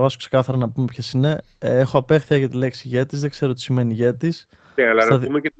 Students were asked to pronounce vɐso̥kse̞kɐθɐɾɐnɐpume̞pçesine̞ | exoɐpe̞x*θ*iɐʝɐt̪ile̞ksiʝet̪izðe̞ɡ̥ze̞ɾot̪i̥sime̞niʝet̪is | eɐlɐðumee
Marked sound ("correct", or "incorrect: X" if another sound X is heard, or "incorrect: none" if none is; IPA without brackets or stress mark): correct